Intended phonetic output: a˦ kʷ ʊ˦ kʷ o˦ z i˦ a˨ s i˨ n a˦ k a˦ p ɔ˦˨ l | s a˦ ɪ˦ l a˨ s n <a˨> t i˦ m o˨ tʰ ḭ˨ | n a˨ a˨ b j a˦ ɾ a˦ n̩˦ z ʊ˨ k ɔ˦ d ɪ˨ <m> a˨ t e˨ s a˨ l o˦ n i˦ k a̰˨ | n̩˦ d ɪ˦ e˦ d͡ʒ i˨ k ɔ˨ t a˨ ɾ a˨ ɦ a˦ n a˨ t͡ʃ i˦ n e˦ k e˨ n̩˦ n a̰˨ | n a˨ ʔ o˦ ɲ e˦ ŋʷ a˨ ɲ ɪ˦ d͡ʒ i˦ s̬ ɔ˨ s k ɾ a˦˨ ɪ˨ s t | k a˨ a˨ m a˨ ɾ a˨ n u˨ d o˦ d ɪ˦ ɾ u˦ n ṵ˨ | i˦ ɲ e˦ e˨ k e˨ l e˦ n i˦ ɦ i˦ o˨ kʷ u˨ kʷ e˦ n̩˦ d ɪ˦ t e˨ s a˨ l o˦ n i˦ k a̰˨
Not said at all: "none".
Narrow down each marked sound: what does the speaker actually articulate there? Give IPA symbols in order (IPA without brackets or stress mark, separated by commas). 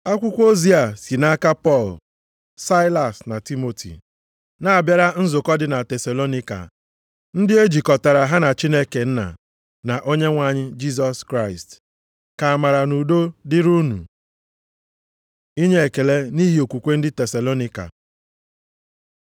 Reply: a˨, n